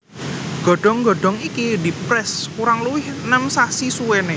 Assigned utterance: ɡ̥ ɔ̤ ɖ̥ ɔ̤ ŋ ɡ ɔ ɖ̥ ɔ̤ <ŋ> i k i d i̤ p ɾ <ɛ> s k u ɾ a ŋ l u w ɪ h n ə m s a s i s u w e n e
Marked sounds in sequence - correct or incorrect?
correct, correct

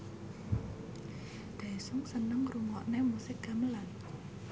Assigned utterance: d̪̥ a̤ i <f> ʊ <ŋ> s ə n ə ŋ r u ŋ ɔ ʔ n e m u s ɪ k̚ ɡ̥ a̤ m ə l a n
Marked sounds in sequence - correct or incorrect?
incorrect, correct

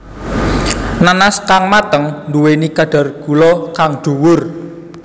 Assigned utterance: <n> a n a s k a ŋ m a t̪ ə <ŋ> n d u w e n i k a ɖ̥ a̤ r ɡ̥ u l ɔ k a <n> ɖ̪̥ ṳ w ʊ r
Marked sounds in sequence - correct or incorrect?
correct, correct, incorrect

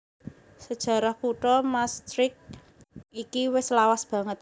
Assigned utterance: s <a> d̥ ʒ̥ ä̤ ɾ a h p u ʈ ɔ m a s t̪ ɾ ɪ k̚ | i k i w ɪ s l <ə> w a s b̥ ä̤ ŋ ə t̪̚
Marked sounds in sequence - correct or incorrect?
incorrect, incorrect

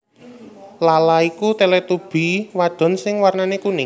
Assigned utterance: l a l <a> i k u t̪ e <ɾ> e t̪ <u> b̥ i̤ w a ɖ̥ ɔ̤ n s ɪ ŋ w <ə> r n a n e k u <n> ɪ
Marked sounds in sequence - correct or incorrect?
correct, incorrect, correct, incorrect, correct

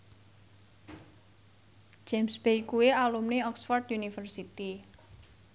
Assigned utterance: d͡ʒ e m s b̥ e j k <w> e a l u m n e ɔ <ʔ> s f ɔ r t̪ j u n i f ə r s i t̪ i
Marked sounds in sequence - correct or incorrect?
incorrect, incorrect

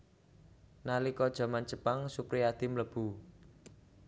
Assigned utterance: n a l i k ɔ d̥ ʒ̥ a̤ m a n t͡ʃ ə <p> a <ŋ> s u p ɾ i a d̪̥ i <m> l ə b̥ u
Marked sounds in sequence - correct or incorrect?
correct, correct, correct

